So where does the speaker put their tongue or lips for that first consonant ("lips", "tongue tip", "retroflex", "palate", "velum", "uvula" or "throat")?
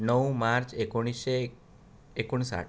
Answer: tongue tip